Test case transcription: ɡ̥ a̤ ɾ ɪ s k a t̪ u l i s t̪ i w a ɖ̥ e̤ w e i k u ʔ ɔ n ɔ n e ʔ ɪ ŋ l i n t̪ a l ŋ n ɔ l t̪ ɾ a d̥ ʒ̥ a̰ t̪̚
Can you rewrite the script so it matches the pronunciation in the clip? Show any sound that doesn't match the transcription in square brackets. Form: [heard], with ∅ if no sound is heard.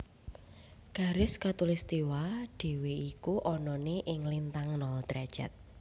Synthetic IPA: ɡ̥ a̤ ɾ ɪ s k a t̪ u l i s t̪ i w a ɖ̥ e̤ w e i k u ʔ ɔ n ɔ n e ʔ ɪ ŋ l i n t̪ a [∅] ŋ n ɔ l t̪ ɾ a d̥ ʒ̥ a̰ t̪̚